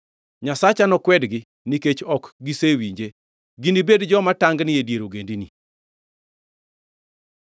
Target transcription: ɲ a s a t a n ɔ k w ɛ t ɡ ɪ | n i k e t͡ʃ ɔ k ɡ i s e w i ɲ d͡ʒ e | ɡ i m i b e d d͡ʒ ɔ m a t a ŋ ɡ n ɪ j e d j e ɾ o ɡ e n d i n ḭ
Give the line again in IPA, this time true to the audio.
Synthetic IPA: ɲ a s a t͡ʃ a n ɔ k w ɛ d ɡ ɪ | n i k e t͡ʃ ɔ k ɡ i s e w i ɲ d͡ʒ e | ɡ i n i b e d d͡ʒ ɔ m a t a ŋ ɡ n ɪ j e d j e ɾ o ɡ e n d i n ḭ